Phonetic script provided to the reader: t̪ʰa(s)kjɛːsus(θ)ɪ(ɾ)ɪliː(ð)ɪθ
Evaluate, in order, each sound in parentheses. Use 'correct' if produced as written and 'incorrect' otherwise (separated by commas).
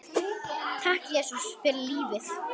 incorrect, incorrect, correct, incorrect